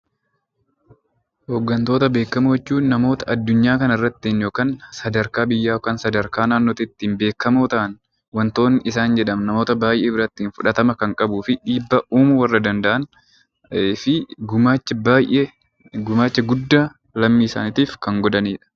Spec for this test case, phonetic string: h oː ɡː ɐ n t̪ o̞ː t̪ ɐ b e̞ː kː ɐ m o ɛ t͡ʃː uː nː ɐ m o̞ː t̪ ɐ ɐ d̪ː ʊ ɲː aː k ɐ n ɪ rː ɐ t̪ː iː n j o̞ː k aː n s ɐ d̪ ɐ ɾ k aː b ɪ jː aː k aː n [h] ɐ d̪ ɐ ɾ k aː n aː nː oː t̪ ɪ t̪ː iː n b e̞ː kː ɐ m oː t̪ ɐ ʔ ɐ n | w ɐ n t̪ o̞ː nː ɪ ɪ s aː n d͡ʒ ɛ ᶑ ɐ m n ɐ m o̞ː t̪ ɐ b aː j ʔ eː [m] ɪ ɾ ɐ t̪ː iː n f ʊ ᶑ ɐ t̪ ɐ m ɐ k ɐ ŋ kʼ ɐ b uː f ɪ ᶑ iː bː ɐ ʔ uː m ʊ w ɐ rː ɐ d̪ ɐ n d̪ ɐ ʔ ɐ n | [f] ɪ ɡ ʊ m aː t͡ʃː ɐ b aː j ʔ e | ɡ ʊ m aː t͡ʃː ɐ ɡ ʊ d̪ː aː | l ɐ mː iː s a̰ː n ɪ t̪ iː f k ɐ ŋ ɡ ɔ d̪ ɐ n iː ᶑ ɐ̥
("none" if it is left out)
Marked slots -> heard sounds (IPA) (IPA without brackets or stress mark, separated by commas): s, b, f